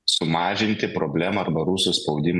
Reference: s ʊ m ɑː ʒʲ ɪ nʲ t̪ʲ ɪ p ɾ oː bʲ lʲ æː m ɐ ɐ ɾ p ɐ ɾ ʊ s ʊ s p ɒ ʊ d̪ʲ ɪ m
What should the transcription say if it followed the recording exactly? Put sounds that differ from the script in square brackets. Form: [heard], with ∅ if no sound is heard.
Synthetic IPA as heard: s ʊ m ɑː ʒʲ ɪ nʲ t̪ʲ ɪ p ɾ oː bʲ lʲ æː m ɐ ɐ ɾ [b] ɐ ɾ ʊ s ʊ s p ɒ ʊ d̪ʲ ɪ m